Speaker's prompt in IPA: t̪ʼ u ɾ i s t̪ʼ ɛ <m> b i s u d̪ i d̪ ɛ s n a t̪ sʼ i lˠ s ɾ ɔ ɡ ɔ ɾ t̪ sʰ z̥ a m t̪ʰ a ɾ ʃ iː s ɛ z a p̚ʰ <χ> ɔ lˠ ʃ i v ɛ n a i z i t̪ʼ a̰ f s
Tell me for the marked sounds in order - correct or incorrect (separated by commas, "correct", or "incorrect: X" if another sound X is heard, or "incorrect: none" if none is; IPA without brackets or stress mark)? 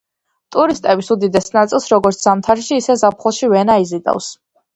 incorrect: none, correct